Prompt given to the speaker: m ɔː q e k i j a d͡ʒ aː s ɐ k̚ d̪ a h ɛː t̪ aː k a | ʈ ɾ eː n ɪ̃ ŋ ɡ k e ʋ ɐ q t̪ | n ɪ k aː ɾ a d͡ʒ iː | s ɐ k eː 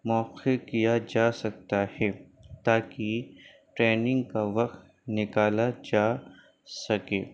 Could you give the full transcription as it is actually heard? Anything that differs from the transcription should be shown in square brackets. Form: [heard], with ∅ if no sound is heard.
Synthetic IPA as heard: m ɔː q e k i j a d͡ʒ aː s ɐ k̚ [t̪] a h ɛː t̪ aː k [i] | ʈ ɾ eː n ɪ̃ ŋ ɡ k [a] ʋ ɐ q t̪ | n ɪ k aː [l] a d͡ʒ [aː] | s ɐ k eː

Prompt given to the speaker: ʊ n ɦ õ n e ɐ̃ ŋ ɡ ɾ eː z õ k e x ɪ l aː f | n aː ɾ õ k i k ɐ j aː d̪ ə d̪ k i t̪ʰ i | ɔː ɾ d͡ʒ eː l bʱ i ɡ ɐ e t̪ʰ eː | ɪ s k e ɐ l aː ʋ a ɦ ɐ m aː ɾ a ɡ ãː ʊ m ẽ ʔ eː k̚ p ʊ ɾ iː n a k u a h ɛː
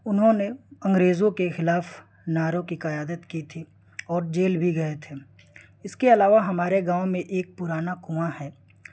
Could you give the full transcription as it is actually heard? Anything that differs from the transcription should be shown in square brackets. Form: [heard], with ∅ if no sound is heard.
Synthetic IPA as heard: ʊ n ɦ õ n e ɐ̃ ŋ ɡ ɾ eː z õ k e x ɪ l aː f | n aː ɾ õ k i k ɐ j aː d̪ ə [t̪] k i t̪ʰ i | ɔː ɾ d͡ʒ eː l bʱ i ɡ ɐ e t̪ʰ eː | ɪ s k e ɐ l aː ʋ a ɦ ɐ m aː ɾ [e] ɡ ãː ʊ m ẽ ʔ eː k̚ p ʊ ɾ [aː] n a k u a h ɛː

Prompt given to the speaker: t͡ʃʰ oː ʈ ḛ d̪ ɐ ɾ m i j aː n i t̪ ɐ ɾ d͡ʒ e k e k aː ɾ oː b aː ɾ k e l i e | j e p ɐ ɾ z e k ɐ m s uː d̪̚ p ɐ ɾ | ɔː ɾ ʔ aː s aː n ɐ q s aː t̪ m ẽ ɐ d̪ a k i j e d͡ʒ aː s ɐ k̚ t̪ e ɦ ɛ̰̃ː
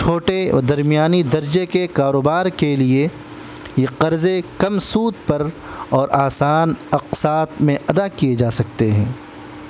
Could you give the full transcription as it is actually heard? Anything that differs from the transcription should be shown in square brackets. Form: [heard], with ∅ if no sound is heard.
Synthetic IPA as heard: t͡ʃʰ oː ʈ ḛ d̪ ɐ ɾ m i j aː n i [d̪] ɐ ɾ d͡ʒ e k e k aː ɾ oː b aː ɾ k e l i e | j e [q] ɐ ɾ z e k ɐ m s uː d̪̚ p ɐ ɾ | ɔː ɾ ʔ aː s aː n ɐ q s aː t̪ m ẽ ɐ d̪ a k i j e d͡ʒ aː s ɐ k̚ t̪ e ɦ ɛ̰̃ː

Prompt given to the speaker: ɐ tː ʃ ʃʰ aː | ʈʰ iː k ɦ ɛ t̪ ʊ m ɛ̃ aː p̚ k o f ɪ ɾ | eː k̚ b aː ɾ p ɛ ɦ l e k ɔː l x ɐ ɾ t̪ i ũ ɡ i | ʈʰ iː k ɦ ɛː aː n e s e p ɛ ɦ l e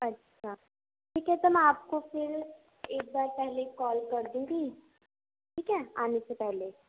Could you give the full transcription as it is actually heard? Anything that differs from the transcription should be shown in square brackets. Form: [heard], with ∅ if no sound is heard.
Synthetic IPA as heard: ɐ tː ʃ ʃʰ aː | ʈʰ iː k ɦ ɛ t̪ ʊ m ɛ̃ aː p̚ k o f ɪ ɾ | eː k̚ b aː ɾ p ɛ ɦ l e k ɔː l [k] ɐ ɾ [d̪] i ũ ɡ i | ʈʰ iː k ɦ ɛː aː n e s e p ɛ ɦ l e

